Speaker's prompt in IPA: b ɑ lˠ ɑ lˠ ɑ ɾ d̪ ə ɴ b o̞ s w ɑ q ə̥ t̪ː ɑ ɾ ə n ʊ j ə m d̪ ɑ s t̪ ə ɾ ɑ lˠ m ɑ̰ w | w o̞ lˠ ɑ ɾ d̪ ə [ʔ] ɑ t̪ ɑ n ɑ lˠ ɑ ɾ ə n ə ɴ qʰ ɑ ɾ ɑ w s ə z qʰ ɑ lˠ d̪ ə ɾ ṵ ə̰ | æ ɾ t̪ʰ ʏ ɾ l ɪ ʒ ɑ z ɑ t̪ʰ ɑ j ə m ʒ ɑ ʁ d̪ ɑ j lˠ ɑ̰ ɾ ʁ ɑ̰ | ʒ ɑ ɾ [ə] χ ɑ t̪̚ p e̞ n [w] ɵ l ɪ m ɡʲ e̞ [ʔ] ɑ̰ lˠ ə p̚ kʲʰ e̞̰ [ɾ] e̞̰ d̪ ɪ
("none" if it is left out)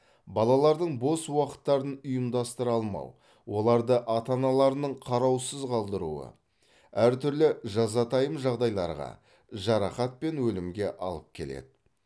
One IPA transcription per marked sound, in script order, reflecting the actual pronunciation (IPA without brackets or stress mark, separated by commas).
ʔ, ɑ, w, ʔ, l